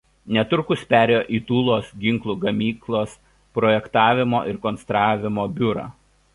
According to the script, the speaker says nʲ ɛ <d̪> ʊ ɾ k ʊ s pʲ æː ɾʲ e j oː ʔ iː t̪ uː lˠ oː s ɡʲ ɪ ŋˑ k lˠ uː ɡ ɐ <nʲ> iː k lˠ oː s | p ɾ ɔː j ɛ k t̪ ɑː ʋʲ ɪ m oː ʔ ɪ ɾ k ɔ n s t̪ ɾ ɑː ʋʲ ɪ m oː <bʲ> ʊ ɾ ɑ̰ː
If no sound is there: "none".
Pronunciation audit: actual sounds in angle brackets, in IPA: t̪, mʲ, bʲ

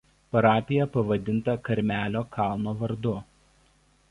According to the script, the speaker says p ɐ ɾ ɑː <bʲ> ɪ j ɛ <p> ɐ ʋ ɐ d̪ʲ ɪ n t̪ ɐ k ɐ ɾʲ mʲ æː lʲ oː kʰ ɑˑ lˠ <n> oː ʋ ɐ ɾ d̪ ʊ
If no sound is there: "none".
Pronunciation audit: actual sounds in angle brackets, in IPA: pʲ, p, n

